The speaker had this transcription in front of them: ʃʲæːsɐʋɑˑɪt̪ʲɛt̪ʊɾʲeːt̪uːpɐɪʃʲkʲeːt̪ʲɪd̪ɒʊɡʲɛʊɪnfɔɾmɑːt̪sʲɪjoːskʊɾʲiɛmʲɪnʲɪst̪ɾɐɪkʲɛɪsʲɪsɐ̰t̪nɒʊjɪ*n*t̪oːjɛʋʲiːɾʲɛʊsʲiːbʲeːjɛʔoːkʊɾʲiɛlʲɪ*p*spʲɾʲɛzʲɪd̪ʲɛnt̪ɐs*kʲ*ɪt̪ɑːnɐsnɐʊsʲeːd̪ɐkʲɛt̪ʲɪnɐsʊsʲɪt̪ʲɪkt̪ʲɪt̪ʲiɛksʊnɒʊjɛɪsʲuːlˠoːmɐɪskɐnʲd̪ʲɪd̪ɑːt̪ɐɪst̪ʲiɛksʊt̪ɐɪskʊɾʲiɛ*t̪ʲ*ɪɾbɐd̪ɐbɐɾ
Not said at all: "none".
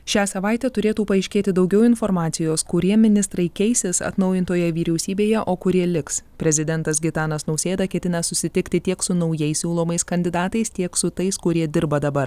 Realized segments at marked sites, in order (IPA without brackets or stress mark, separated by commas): n, k, ɡʲ, d̪ʲ